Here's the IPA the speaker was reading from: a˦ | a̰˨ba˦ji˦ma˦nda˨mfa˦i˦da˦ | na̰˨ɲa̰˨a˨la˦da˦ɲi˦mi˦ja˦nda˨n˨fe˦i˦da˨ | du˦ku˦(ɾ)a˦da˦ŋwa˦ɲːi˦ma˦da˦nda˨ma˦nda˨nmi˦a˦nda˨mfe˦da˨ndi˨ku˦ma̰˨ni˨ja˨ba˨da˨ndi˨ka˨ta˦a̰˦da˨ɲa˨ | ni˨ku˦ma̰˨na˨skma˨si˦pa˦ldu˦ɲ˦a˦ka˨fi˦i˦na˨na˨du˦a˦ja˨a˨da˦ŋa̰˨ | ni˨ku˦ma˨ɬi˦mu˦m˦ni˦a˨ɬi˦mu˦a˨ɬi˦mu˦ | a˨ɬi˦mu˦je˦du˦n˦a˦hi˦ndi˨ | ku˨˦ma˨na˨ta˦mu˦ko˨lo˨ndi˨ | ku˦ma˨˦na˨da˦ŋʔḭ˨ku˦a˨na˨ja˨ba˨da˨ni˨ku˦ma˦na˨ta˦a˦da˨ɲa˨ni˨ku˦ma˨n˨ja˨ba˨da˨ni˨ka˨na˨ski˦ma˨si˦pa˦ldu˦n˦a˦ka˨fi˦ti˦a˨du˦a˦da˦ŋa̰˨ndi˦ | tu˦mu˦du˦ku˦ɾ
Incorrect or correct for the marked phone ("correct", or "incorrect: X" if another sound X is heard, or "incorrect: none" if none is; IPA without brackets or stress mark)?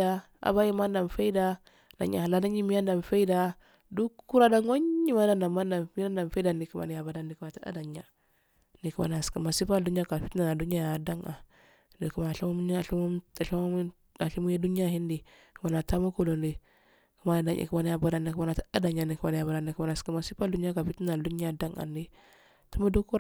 correct